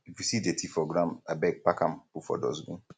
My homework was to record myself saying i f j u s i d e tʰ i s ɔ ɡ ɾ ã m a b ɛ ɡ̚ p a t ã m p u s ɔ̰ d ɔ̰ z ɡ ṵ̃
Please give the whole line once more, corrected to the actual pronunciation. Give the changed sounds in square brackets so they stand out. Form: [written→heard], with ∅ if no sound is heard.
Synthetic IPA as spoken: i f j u s i d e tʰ i [s→f] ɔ ɡ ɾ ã m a b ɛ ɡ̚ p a [t→k] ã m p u [s→f] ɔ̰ d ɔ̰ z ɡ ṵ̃